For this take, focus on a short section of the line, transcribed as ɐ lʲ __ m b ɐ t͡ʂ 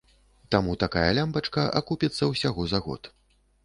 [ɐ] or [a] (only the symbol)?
a